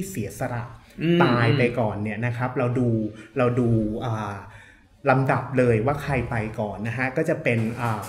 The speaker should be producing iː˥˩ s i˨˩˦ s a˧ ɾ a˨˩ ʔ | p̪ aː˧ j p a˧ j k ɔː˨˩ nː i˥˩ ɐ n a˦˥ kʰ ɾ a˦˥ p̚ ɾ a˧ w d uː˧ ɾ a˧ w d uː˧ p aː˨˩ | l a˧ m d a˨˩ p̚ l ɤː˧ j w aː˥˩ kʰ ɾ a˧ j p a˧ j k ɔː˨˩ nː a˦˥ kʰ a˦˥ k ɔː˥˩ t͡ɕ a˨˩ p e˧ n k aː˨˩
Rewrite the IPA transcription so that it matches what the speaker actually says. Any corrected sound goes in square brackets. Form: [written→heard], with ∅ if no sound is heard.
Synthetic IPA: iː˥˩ s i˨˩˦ s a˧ ɾ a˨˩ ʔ | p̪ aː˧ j p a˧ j k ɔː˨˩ nː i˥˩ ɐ n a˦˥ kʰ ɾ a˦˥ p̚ ɾ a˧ w d uː˧ ɾ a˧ w d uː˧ [p→ʔ] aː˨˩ | l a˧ m d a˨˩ p̚ l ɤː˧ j w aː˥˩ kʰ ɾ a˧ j p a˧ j k ɔː˨˩ nː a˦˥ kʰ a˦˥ k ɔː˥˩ t͡ɕ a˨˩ p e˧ n [k→ʔ] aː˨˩